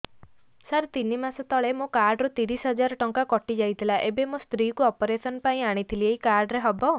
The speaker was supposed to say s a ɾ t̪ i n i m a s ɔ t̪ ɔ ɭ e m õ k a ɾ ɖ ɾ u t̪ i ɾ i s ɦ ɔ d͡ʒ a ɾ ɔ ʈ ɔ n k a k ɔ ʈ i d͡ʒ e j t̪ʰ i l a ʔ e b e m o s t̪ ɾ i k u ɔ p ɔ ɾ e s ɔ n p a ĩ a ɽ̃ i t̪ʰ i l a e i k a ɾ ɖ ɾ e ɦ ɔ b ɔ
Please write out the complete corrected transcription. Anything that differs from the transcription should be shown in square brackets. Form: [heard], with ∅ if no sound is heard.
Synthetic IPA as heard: s a ɾ t̪ i n i m a s ɔ t̪ ɔ ɭ e m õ k a ɾ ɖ ɾ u t̪ i ɾ i s ɦ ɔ d͡ʒ a ɾ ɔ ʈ ɔ [ŋ] k a k ɔ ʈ i d͡ʒ [a] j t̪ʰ i l a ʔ e b e m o s t̪ ɾ i k u ɔ p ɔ ɾ e s ɔ n p a ĩ a ɽ̃ i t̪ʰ i l [i] e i k a ɾ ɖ ɾ e ɦ ɔ b ɔ

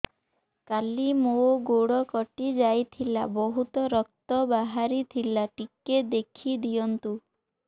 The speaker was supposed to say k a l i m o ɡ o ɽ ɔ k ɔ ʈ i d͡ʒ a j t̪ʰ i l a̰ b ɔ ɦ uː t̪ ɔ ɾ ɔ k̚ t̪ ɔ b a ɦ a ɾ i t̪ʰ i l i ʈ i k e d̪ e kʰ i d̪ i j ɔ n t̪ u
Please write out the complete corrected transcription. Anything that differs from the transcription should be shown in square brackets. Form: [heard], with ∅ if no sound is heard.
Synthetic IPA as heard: k a l i m o ɡ o ɽ ɔ k ɔ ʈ i d͡ʒ a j t̪ʰ i l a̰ b ɔ ɦ [u] t̪ ɔ ɾ ɔ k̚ t̪ ɔ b a ɦ a ɾ i t̪ʰ i l [a] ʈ i k e d̪ e kʰ i d̪ i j ɔ n t̪ u

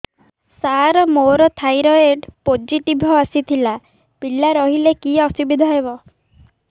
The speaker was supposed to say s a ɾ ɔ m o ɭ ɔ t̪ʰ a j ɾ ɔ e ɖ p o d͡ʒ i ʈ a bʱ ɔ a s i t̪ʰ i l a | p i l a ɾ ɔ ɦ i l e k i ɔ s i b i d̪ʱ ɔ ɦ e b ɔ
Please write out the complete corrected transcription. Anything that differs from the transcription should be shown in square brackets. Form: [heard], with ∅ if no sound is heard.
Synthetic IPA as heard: s a ɾ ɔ m o [ɾ] ɔ t̪ʰ a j ɾ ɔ e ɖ p o d͡ʒ i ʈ [i] bʱ ɔ a s i t̪ʰ i l a | p i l a ɾ ɔ ɦ i l e k i ɔ s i b i d̪ʱ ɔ ɦ e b ɔ

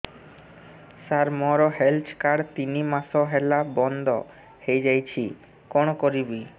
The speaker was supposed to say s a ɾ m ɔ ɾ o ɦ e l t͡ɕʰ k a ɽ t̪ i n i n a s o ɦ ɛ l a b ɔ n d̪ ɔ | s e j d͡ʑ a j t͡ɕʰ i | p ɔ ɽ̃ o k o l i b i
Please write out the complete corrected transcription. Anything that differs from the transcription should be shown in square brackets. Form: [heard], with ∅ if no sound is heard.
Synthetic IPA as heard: s a ɾ m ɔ ɾ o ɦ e l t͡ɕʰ k a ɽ t̪ i n i [m] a s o ɦ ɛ l a b ɔ n d̪ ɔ | [h] e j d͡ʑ a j t͡ɕʰ i | [k] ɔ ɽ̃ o k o [ɾ] i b i

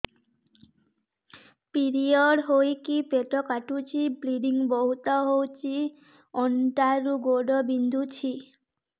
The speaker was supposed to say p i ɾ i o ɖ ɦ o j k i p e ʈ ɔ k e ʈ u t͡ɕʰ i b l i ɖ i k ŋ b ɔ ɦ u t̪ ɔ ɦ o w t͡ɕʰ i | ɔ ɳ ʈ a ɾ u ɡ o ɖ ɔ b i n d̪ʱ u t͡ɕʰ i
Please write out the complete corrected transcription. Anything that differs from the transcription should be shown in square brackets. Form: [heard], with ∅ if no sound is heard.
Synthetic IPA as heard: p i ɾ i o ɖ ɦ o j k i p e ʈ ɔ k [a] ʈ u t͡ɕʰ i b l i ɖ i [∅] ŋ b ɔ ɦ u t̪ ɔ ɦ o w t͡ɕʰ i | ɔ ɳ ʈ a ɾ u ɡ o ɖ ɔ b i n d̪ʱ u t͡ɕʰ i

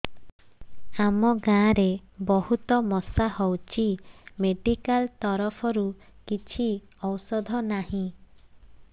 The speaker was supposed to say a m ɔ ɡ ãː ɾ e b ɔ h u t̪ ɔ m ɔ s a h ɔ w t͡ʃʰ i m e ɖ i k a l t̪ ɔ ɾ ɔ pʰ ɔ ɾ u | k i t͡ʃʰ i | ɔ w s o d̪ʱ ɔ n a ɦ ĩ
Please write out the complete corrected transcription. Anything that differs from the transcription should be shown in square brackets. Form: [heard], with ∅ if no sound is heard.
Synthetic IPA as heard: a m ɔ ɡ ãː ɾ e b ɔ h u t̪ ɔ m ɔ s a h ɔ w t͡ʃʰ i m e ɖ i k a l t̪ ɔ ɾ ɔ pʰ ɔ ɾ u | k i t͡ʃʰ i | ɔ w s [ɔ] d̪ʱ ɔ n a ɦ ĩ

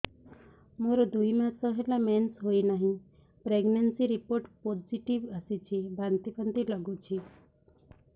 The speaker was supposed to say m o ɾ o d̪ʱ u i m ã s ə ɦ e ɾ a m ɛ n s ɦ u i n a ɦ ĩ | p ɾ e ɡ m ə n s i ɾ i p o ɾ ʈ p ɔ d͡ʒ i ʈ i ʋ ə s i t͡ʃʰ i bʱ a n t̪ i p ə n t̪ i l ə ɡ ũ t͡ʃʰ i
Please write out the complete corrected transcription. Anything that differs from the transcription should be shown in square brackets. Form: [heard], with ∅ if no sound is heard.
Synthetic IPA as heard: m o ɾ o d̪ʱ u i m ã s ə ɦ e [l] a m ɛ n s ɦ [o] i n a ɦ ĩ | p ɾ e ɡ [n] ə n s i ɾ i p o ɾ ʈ p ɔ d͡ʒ i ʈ i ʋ ə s i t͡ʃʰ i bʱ a n t̪ i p ə n t̪ i l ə ɡ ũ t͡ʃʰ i

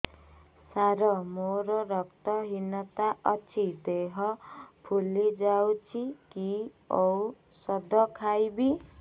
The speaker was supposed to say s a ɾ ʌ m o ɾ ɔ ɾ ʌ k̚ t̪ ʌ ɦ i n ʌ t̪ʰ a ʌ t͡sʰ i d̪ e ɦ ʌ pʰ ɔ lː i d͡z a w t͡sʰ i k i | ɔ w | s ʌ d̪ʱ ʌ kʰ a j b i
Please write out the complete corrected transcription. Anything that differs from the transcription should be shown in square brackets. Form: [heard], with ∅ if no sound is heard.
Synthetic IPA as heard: s a ɾ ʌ m o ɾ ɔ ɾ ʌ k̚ t̪ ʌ ɦ i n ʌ [t̪] a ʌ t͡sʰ i d̪ e ɦ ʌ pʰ [u] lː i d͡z a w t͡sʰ i k i | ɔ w | s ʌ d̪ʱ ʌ kʰ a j b i

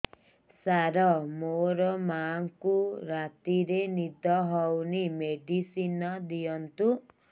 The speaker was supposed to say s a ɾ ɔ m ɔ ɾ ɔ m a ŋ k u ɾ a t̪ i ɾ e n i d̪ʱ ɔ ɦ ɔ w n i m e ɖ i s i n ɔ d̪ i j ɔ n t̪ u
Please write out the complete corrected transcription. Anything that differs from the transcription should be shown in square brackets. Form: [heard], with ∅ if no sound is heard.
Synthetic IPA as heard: s a ɾ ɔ m [o] ɾ ɔ m a ŋ k u ɾ a t̪ i ɾ e n i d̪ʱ ɔ ɦ ɔ w n i m e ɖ i s i n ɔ d̪ i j ɔ n t̪ u

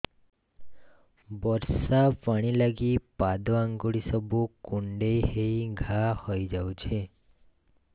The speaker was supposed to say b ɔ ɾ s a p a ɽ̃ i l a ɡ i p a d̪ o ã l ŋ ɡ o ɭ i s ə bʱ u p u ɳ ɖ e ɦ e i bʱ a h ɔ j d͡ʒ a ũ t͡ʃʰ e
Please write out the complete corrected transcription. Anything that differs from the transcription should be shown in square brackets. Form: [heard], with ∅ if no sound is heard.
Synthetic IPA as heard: b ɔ ɾ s a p a ɽ̃ i l a ɡ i p a d̪ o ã [∅] ŋ ɡ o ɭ i s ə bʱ u [k] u ɳ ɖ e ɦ e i [ɡʱ] a h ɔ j d͡ʒ a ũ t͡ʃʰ e

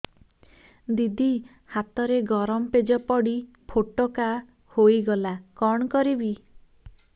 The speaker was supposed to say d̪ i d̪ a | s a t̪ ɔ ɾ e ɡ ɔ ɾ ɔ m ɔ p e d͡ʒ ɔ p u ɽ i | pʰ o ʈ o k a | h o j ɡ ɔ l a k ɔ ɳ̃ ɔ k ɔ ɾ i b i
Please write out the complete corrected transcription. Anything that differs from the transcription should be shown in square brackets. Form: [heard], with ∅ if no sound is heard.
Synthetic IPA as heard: d̪ i d̪ [i] | [h] a t̪ ɔ ɾ e ɡ ɔ ɾ ɔ m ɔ p e d͡ʒ ɔ p [ɔ] ɽ i | pʰ o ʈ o k a | h o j ɡ ɔ l a k ɔ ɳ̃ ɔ k ɔ ɾ i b i

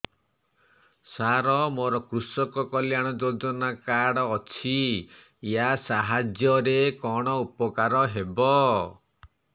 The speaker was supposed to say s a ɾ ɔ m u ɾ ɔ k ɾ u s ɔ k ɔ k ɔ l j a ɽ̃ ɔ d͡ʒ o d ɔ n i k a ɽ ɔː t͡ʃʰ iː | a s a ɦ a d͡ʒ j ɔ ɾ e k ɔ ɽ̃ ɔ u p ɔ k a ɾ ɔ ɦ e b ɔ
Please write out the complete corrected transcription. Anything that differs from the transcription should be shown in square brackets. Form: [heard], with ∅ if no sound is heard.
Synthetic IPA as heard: s a ɾ ɔ m [o] ɾ ɔ k ɾ u s ɔ k ɔ k ɔ l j a ɽ̃ ɔ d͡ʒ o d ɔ n [a] k a ɽ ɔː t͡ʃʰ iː | a s a ɦ a d͡ʒ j ɔ ɾ e k ɔ ɽ̃ ɔ u p ɔ k a ɾ ɔ ɦ e b ɔ

